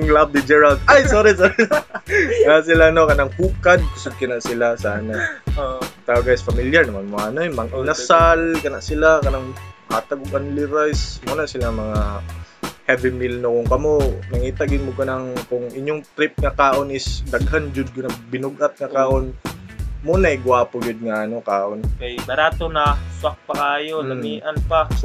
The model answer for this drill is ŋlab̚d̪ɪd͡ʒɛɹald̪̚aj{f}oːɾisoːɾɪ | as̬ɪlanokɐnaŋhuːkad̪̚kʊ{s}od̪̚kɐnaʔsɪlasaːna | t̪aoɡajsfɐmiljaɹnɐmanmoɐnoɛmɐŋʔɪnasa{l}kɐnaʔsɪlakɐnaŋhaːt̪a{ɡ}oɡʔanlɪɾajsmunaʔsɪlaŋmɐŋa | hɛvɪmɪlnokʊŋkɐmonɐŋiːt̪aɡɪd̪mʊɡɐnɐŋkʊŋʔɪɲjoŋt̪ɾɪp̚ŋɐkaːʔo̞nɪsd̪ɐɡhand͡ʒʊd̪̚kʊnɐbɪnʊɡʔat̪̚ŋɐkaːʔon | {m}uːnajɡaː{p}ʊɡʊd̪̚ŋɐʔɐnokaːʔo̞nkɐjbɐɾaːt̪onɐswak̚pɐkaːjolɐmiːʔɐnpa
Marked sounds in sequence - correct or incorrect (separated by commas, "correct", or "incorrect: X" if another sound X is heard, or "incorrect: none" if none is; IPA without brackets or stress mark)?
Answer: incorrect: s, correct, correct, correct, correct, correct